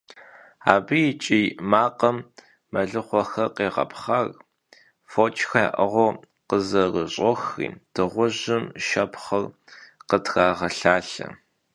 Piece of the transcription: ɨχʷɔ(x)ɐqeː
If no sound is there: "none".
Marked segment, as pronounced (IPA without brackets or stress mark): x